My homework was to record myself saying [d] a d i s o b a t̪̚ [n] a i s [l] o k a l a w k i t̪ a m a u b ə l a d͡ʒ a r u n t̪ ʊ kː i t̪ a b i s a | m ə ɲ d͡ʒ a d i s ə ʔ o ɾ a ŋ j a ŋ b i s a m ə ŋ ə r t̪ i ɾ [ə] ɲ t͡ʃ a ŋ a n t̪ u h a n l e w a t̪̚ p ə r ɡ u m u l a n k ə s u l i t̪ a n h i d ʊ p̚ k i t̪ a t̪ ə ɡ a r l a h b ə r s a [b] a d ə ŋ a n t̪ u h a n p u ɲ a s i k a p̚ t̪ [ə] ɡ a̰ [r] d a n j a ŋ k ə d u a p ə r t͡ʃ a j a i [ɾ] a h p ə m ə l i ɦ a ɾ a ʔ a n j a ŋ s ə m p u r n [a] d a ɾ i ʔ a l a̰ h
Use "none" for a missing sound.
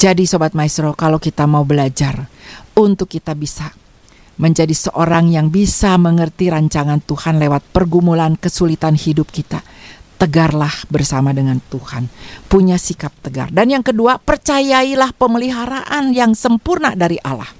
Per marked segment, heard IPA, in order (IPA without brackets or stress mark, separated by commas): d͡ʒ, m, ɾ, a, m, ə, r, l, a